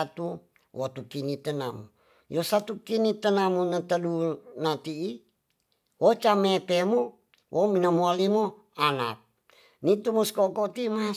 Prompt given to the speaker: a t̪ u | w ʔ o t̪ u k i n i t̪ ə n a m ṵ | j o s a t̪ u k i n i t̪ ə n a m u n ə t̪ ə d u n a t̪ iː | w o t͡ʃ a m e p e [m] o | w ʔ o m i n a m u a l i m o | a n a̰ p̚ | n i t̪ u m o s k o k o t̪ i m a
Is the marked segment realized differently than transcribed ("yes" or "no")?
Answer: no